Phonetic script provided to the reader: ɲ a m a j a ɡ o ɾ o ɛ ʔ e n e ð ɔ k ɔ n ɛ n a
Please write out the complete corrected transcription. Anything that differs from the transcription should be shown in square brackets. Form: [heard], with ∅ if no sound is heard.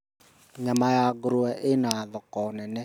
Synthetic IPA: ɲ a m a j a ɡ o ɾ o ɛ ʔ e n [a] ð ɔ k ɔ n ɛ n [ɛ]